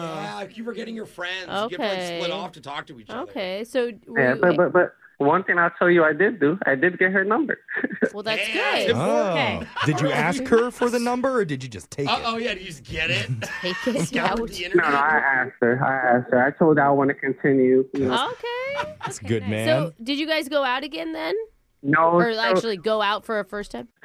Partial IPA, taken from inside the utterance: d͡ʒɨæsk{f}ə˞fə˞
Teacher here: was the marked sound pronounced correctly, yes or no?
no